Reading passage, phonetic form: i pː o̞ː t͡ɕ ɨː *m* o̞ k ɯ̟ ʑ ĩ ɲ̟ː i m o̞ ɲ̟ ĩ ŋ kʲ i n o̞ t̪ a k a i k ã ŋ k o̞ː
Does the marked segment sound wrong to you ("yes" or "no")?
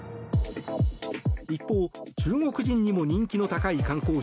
yes